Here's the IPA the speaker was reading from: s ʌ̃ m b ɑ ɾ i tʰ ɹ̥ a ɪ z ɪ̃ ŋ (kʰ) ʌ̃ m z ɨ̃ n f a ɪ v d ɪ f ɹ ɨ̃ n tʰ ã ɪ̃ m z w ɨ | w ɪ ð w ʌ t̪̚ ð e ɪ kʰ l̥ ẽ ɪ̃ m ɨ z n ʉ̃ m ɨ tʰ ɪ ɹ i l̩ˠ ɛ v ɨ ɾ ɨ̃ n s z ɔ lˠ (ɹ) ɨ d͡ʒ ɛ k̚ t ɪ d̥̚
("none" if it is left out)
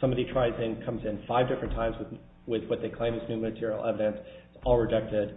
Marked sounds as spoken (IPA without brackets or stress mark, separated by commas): kʰ, ɹ